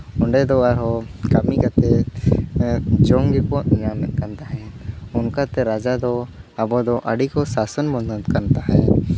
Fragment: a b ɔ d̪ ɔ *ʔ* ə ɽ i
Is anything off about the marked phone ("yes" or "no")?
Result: no